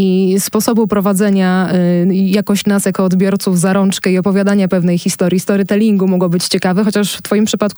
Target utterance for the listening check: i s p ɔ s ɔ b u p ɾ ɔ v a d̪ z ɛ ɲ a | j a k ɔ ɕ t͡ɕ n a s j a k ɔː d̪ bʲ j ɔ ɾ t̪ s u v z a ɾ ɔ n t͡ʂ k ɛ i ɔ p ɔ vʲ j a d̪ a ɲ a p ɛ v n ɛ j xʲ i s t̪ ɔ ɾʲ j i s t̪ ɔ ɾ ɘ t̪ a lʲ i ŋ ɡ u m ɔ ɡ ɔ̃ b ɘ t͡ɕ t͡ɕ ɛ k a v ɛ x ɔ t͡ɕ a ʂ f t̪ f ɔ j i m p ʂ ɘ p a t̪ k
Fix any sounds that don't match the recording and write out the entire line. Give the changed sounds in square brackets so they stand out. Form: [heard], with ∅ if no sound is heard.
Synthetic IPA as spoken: i s p ɔ s ɔ b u p ɾ ɔ v a d̪ z ɛ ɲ a | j a k ɔ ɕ t͡ɕ n a s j a k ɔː d̪ bʲ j ɔ ɾ t̪ s u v z a ɾ ɔ n t͡ʂ k ɛ i ɔ p ɔ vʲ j a d̪ a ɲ a p ɛ v n ɛ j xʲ i s t̪ ɔ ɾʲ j i s t̪ ɔ ɾ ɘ t̪ [ɛ] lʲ i ŋ ɡ u m ɔ ɡ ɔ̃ b ɘ t͡ɕ t͡ɕ ɛ k a v ɛ x ɔ t͡ɕ a ʂ f t̪ f ɔ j i m p ʂ ɘ p a t̪ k